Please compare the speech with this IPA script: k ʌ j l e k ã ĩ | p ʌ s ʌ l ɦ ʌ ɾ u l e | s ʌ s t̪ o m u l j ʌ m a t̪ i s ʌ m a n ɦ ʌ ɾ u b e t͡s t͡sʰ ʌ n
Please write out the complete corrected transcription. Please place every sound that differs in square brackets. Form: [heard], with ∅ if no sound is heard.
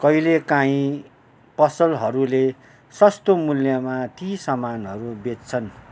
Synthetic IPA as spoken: k ʌ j l e k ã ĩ | p ʌ s ʌ l ɦ ʌ ɾ u l e | s ʌ s t̪ o m u l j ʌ m a t̪ i s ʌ m a n ɦ ʌ ɾ u b e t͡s t͡sʰ ʌ n